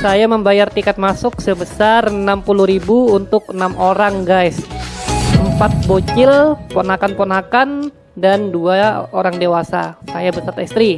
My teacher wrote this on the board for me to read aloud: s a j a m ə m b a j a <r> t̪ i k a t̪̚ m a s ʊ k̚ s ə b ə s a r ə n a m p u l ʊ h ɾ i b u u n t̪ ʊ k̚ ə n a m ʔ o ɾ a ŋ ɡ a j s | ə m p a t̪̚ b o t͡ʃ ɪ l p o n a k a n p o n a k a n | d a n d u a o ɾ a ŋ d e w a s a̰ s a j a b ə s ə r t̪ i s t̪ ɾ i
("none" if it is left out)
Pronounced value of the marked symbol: r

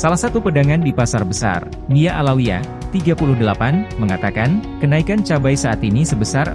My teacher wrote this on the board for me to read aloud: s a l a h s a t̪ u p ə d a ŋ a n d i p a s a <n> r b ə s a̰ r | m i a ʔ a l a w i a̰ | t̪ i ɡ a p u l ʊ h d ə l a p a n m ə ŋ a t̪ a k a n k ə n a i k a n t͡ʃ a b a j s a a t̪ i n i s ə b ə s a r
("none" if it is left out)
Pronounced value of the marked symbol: none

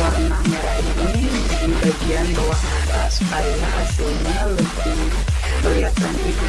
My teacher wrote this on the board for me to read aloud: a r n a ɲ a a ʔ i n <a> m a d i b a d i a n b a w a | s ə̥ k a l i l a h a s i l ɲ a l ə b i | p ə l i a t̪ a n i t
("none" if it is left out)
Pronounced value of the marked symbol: i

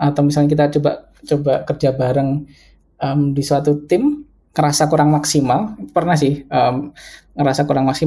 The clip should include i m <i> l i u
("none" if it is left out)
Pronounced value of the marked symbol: a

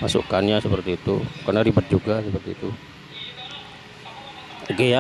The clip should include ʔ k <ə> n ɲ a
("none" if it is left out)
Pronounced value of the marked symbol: a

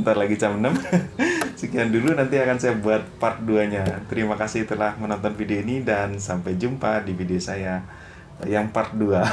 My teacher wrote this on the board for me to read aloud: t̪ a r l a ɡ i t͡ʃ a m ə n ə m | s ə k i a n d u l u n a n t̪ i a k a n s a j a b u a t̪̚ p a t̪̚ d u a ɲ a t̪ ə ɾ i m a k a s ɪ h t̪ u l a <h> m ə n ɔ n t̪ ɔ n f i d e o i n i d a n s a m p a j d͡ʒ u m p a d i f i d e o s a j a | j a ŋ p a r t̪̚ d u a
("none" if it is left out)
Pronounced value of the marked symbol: h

